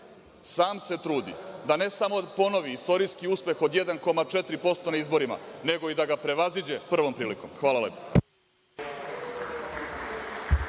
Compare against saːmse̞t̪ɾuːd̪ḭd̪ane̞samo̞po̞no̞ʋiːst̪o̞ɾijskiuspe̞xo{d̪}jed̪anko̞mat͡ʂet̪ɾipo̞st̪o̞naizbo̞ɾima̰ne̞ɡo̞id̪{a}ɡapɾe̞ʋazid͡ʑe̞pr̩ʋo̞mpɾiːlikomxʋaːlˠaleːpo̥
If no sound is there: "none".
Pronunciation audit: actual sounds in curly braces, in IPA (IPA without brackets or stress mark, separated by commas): d̪, a